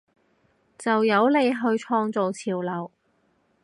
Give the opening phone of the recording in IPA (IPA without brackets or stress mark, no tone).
t͡s